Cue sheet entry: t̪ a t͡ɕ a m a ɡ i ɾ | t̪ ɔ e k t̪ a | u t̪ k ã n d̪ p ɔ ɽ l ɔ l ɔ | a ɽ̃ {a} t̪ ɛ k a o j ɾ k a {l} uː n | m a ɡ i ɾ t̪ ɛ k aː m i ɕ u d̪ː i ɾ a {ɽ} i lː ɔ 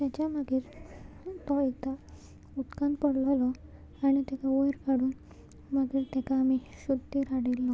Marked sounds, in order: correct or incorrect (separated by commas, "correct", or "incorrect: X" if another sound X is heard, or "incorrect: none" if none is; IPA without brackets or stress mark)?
incorrect: i, incorrect: ɽ, correct